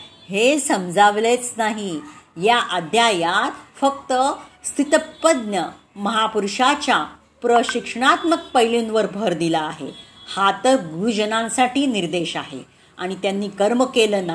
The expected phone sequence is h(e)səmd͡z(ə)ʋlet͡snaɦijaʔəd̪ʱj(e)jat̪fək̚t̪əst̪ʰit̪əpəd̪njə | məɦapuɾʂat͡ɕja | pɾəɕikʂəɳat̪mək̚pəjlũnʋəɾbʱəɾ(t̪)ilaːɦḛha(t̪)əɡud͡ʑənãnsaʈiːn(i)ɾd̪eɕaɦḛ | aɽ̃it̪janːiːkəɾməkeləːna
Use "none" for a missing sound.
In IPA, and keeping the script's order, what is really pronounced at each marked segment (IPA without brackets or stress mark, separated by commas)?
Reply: e, a, a, d̪, t̪, i